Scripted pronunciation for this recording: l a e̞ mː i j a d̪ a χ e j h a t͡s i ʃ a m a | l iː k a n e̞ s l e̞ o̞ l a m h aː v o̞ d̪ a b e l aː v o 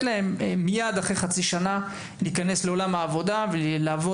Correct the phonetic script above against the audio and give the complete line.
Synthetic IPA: l a e̞ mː i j a d̪ a χ e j χ a t͡s i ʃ a n a | l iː k a n e̞ s l e̞ o̞ l a m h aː v o̞ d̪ a v e l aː v o

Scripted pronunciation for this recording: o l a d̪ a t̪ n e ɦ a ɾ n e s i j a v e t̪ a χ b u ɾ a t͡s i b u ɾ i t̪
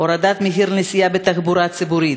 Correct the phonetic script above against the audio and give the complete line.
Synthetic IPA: o ɾ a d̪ a t̪ m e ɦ i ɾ n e s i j a b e t̪ a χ b u ɾ a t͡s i b u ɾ i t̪

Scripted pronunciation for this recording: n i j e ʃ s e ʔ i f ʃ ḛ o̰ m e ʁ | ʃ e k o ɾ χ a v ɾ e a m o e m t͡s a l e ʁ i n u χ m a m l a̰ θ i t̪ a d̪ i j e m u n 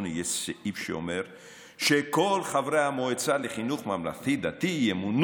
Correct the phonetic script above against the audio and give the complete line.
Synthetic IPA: n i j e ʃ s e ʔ i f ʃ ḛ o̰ m e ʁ | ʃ e k o l χ a v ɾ e a m o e t͡s a l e χ i n u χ m a m l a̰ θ i d̪ a t̪ i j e m u n

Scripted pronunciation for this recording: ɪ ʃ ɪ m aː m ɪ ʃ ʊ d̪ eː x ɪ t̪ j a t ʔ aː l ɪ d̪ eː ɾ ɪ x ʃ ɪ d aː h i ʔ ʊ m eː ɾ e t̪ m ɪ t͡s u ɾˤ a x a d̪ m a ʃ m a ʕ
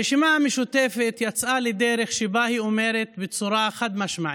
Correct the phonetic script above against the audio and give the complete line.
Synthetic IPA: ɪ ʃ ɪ m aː m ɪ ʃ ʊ t̪ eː f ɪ t̪ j a t͡s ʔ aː l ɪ d̪ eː ɾ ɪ x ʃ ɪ b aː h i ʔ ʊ m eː ɾ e t̪ b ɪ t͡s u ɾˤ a x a d̪ m a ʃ m a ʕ

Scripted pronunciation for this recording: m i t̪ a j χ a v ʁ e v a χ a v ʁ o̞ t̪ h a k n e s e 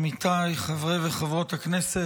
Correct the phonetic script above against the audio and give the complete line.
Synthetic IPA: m i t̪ a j χ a v ʁ e v e χ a v ʁ o̞ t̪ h a k n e s e

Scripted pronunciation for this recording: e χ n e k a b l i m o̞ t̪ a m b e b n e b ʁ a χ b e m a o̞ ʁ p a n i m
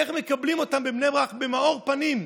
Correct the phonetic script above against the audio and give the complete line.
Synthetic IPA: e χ m e k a b l i m o̞ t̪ a m b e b n e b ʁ a χ b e m a o̞ ʁ p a n i m

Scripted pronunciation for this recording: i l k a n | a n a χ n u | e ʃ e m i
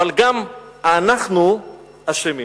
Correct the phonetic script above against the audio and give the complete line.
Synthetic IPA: a l ɡ a m | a n a χ n u | a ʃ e m i

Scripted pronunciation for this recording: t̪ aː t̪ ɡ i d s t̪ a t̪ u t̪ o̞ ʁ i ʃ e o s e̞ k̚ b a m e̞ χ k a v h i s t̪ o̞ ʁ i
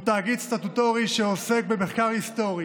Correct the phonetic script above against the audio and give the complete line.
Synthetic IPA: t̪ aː ɡ i d s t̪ a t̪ u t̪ o̞ ʁ i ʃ e o s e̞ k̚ b e m e̞ χ k a ʁ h i s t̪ o̞ ʁ i

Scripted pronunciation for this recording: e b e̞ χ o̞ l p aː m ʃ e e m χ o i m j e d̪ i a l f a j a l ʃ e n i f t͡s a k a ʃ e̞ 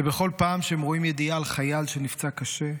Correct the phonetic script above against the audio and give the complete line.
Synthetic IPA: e b e̞ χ o̞ l p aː m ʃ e e m ʁ o i m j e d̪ i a l χ a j a l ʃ e n i f t͡s a k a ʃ e̞

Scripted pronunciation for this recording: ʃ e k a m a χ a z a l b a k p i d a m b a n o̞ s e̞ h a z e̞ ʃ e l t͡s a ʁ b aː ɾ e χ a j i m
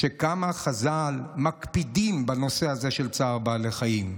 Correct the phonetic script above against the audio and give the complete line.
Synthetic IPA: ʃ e k a m a χ a z a l m a k p i d i m b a n o̞ s e̞ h a z e̞ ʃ e l t͡s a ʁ b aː l e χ a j i m

